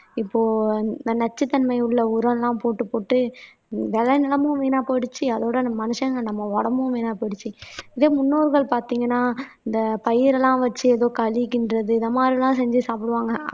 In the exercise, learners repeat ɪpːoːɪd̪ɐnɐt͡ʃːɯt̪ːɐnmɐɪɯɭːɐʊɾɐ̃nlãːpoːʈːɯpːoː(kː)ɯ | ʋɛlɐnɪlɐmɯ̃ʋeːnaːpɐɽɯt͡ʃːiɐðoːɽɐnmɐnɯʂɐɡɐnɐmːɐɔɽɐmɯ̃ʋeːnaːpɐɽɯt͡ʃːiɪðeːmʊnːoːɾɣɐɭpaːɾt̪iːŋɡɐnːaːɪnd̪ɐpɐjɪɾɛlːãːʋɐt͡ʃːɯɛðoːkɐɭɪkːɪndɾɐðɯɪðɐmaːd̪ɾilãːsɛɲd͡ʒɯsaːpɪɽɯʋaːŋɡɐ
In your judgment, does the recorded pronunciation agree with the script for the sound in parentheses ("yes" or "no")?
no